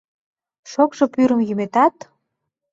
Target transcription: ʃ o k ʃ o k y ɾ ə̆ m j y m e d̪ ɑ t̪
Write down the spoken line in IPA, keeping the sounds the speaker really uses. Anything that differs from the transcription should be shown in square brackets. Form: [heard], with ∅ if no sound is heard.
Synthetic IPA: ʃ o k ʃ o [p] y ɾ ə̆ m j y m e [t̪] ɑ t̪